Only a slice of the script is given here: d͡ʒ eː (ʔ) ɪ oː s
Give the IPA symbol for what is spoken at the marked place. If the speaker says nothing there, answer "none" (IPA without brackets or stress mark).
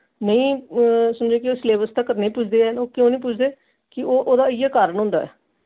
k